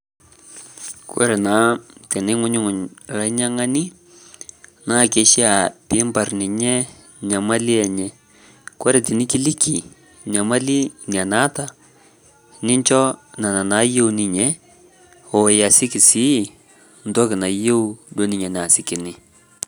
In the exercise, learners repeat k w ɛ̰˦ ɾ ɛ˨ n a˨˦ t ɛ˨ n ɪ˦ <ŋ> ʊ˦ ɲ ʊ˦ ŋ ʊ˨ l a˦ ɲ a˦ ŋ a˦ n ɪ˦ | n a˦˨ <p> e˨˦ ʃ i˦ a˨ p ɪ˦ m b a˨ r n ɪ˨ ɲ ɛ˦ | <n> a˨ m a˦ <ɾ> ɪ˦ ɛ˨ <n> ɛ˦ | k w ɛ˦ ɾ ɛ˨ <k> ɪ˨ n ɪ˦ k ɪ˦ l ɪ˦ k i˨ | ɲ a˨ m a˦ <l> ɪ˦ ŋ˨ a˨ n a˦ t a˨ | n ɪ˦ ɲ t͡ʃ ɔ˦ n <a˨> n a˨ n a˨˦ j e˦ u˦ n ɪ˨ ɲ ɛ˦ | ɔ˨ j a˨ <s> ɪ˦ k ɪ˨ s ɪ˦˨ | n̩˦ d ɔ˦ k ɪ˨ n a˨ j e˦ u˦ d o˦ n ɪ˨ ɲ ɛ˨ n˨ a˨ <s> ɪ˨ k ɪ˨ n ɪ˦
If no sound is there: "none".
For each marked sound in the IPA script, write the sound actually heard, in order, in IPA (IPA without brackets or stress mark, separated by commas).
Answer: ŋ, k, ɲ, l, ɲ, t, l, a˨, s, s